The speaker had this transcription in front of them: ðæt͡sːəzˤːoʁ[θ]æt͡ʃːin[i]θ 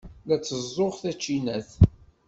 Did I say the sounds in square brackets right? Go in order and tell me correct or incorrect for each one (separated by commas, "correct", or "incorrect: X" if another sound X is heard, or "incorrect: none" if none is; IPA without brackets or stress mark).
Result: correct, incorrect: æ